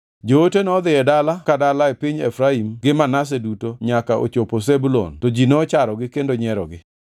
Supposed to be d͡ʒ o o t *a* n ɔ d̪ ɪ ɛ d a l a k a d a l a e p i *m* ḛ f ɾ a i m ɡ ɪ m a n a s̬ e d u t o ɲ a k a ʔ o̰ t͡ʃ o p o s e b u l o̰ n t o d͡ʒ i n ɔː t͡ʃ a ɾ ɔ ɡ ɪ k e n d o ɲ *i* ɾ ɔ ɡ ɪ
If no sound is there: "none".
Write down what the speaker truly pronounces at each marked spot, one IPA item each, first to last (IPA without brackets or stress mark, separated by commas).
e, ɲ, ɛ